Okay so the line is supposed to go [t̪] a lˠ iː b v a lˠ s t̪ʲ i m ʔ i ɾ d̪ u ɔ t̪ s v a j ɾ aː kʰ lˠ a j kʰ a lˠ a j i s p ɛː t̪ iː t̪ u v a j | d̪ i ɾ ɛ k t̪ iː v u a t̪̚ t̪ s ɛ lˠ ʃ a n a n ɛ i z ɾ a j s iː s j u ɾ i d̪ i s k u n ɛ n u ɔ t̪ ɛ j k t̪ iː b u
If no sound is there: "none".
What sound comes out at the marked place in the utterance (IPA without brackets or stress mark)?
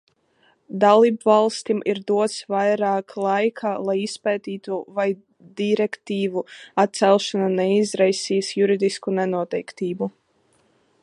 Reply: d̪